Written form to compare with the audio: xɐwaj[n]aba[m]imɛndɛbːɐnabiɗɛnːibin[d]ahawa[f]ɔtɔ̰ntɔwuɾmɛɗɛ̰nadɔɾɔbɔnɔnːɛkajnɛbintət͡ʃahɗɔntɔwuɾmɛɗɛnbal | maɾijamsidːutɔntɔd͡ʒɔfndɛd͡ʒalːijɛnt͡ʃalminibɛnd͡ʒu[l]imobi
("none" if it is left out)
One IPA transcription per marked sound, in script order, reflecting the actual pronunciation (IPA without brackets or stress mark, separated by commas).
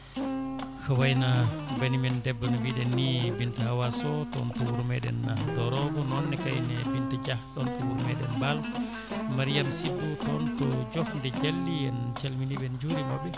n, n, t, s, ɾ